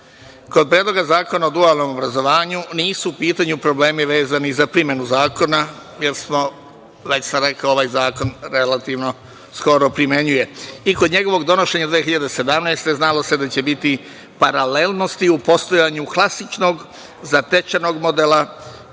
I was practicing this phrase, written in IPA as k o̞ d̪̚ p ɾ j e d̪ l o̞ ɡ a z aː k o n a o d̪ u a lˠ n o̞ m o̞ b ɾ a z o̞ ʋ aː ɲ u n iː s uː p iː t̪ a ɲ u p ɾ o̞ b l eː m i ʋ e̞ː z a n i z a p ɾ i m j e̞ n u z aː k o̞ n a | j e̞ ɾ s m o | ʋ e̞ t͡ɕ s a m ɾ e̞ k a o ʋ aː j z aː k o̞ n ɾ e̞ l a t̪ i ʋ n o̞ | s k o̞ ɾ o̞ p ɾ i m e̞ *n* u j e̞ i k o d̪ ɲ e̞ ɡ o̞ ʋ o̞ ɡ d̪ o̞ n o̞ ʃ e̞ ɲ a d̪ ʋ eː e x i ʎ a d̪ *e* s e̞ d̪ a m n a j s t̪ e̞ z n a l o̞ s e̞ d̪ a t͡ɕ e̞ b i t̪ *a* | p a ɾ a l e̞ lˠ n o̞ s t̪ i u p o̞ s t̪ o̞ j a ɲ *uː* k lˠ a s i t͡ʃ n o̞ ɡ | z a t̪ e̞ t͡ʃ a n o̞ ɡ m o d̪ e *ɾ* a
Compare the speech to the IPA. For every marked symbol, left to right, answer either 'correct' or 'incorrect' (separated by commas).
incorrect, correct, incorrect, incorrect, incorrect